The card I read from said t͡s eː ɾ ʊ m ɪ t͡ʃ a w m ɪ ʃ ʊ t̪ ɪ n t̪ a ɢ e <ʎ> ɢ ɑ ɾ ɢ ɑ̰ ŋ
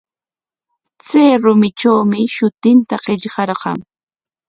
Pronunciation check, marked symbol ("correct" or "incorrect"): correct